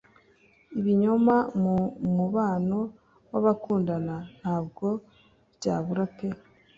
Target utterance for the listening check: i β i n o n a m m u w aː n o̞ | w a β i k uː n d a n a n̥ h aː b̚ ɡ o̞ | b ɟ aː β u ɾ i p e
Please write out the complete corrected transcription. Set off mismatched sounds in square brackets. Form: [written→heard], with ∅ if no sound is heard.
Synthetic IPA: i β i [n→ɲ] o [n→m] a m m u [w→β] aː n o̞ | w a β [i→a] k uː n d a n a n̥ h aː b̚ ɡ o̞ | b ɟ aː β u ɾ [i→a] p e